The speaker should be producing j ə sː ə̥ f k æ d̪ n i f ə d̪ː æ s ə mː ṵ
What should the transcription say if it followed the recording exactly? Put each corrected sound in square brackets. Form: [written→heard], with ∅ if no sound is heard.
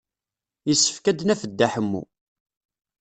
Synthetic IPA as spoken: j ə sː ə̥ f k æ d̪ n [i→æ] f ə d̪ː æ [s→ħ] ə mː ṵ